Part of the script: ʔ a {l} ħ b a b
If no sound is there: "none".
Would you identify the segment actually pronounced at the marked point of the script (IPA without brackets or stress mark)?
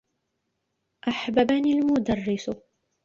none